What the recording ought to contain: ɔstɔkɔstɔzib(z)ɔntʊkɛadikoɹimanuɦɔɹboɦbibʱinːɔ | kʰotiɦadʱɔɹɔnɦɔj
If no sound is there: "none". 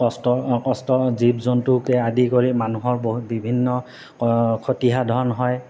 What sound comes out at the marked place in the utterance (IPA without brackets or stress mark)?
z